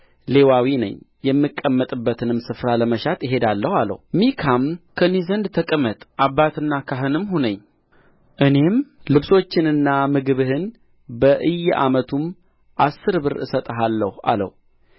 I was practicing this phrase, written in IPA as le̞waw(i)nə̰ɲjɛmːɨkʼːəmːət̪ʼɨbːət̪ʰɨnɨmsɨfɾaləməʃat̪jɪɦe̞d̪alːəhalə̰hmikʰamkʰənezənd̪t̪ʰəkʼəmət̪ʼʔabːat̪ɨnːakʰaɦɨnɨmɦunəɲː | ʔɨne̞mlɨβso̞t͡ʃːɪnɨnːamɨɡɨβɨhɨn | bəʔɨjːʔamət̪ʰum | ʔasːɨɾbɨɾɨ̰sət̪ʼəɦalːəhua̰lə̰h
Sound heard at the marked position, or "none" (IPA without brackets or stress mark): i